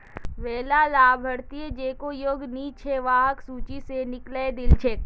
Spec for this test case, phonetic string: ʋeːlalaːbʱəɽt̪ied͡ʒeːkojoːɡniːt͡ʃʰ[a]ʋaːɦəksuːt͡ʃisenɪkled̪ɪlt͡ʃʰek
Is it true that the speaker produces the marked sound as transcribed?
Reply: no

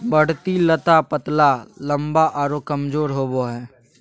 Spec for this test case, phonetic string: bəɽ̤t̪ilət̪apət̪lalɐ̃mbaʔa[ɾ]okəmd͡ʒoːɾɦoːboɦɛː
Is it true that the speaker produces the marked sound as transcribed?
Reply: yes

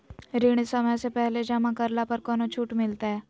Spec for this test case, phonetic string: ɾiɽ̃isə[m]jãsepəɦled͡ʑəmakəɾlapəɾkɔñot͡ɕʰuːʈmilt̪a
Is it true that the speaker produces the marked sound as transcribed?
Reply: yes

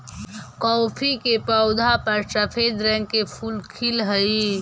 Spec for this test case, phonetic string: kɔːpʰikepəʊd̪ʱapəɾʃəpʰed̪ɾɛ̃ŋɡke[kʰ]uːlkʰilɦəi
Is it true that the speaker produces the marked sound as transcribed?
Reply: no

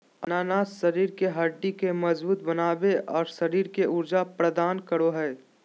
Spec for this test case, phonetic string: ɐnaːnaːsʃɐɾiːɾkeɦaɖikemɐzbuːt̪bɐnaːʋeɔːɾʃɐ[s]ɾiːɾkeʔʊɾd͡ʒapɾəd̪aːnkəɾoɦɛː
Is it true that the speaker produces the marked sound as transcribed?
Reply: no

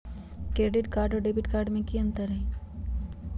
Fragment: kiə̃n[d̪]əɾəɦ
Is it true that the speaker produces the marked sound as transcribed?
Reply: no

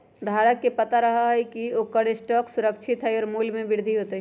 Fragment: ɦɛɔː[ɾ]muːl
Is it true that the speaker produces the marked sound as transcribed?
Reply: yes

